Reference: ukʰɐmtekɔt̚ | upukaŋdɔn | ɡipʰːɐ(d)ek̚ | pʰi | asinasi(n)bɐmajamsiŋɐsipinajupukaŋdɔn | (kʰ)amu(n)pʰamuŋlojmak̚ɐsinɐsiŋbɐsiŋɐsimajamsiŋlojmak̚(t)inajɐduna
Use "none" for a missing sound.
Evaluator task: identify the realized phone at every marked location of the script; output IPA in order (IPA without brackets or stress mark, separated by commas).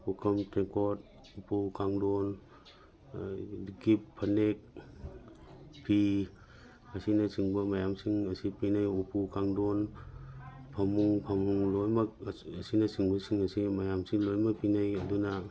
n, ŋ, pʰ, ŋ, p